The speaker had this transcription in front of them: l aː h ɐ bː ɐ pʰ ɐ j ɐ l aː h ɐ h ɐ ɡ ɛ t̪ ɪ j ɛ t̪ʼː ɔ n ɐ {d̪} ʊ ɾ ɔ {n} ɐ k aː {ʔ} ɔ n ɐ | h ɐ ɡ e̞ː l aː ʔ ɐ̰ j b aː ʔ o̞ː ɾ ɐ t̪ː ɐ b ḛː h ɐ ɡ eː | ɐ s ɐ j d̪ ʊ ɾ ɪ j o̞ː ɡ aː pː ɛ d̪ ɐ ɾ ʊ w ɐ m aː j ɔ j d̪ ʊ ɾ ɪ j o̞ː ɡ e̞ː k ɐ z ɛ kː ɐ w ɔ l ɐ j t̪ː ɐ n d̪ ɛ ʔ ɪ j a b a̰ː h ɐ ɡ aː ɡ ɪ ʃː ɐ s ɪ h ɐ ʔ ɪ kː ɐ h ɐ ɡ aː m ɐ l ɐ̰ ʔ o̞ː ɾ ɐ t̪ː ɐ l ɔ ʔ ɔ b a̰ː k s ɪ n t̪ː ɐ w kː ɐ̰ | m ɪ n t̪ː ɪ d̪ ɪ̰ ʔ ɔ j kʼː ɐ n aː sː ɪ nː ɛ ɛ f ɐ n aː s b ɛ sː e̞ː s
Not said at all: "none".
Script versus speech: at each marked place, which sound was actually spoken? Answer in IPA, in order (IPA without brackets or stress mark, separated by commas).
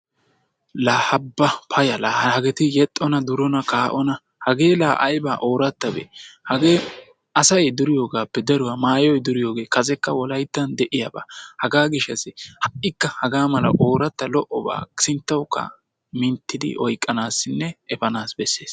d̪, n, ʔ